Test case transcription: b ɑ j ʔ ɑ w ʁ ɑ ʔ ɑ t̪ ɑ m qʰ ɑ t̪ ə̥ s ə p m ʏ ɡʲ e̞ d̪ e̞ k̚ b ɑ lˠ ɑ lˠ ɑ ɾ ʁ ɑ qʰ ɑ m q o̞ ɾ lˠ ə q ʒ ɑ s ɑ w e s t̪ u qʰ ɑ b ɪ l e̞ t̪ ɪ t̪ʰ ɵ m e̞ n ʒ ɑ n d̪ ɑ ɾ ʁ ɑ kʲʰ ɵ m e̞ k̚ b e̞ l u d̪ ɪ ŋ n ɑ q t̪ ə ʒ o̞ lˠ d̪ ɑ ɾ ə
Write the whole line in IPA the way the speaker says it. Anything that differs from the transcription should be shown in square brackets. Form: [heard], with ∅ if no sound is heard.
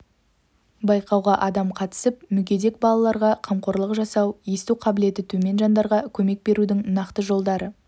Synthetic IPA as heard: b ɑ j [q] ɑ w ʁ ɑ ʔ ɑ [d̪] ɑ m qʰ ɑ t̪ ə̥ s ə p m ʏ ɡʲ e̞ d̪ e̞ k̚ b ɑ lˠ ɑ lˠ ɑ ɾ ʁ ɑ qʰ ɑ m q o̞ ɾ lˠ ə q ʒ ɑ s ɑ w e s t̪ u qʰ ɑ b ɪ l e̞ t̪ ɪ t̪ʰ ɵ m e̞ n ʒ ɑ n d̪ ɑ ɾ ʁ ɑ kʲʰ ɵ m e̞ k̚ b e̞ [ɾ] u d̪ ɪ ŋ n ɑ q t̪ ə ʒ o̞ lˠ d̪ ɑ ɾ ə